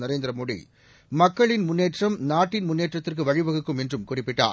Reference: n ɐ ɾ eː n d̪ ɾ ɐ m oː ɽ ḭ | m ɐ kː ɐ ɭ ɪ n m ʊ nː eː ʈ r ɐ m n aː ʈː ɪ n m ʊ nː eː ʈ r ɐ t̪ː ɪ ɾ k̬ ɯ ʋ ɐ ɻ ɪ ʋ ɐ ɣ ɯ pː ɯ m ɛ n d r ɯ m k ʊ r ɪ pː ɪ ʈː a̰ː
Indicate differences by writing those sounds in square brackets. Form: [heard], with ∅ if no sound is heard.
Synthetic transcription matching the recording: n ɐ ɾ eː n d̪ ɾ ɐ m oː ɽ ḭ | m ɐ kː ɐ ɭ ɪ n m ʊ nː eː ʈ r ɐ m n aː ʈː ɪ n m ʊ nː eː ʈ r ɐ t̪ː ɪ [r] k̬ ɯ ʋ ɐ ɻ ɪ ʋ ɐ ɣ ɯ [kː] ɯ m ɛ n d r ɯ m k ʊ r ɪ pː ɪ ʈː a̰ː